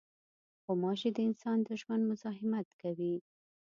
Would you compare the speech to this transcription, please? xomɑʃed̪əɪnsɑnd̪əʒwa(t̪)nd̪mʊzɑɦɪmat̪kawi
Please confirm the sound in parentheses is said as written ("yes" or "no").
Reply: no